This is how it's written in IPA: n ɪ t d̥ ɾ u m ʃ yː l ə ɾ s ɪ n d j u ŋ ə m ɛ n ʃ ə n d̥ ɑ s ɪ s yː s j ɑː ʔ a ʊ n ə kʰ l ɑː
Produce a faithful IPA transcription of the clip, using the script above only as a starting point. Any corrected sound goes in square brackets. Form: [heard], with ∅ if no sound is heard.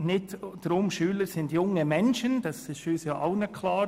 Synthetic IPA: n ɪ t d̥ ɾ [ʊ] m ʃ yː l ə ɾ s ɪ n d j [ʊ] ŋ ə m ɛ n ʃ ə n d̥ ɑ s ɪ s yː s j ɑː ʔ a ʊ n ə kʰ l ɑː